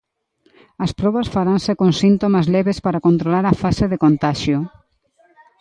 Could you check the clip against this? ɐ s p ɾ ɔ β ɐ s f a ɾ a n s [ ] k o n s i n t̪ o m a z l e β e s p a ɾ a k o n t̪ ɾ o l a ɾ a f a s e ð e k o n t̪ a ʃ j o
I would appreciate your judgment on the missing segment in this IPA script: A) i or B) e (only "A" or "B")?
B